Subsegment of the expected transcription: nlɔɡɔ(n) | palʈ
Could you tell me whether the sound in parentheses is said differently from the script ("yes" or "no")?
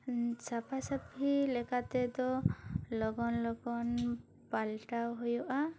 no